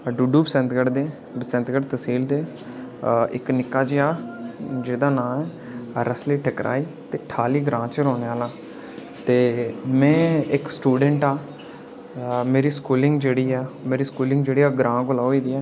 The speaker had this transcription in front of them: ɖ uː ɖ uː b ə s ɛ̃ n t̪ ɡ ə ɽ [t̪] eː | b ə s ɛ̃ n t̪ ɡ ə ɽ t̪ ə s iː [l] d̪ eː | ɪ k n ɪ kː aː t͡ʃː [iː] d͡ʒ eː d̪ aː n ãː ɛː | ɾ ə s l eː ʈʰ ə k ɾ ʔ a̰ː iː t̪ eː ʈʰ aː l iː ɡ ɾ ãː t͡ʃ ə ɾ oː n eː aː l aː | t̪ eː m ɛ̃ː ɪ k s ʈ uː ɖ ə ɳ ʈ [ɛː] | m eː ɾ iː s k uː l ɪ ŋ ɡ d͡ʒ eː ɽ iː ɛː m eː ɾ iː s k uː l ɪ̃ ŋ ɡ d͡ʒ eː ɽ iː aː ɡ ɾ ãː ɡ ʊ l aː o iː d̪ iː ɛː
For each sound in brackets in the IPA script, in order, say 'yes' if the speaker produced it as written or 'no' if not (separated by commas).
no, yes, no, no